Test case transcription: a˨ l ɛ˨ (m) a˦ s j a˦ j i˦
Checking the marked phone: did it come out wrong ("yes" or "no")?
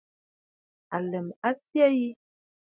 no